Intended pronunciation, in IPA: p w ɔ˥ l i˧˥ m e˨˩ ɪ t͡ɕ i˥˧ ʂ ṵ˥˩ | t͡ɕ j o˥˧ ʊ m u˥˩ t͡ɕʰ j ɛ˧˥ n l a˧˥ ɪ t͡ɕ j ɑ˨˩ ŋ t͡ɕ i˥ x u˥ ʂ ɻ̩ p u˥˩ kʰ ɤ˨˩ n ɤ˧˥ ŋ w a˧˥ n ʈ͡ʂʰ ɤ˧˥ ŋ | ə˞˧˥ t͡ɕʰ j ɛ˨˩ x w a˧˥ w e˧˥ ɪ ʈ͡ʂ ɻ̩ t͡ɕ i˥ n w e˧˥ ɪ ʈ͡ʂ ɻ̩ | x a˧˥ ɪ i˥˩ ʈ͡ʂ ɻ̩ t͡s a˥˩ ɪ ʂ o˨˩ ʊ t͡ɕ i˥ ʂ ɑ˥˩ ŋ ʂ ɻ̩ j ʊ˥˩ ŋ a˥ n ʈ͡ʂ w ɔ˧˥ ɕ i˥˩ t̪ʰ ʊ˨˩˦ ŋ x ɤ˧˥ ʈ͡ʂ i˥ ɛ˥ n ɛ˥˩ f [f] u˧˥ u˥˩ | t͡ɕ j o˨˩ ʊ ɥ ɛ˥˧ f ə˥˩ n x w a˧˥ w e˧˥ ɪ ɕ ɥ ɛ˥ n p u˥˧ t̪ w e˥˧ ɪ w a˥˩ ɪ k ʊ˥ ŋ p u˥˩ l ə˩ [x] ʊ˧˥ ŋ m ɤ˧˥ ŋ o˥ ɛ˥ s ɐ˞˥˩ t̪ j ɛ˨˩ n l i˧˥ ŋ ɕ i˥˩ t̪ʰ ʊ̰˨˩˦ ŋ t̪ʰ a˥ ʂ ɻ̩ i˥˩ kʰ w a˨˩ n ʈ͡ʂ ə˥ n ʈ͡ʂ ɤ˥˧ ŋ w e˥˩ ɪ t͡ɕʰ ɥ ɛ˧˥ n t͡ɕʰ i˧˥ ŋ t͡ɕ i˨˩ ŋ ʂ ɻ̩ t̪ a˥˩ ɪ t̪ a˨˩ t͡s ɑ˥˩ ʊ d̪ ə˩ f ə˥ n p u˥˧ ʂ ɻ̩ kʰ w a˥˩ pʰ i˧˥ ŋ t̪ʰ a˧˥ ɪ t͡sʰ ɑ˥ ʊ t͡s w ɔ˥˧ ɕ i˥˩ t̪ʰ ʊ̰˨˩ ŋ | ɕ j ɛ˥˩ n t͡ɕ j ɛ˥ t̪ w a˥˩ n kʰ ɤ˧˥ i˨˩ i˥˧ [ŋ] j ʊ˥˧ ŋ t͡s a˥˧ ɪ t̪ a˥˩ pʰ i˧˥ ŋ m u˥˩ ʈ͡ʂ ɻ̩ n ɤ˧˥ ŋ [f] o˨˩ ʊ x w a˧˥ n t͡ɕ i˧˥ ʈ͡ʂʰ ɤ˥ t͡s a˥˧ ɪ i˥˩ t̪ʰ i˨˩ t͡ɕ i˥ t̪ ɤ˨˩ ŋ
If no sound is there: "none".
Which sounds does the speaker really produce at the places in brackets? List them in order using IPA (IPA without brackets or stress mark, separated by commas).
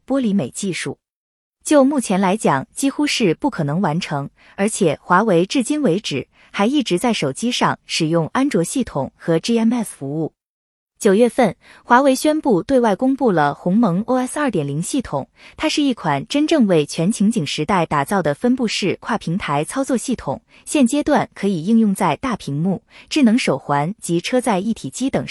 f, x, ŋ, ʂ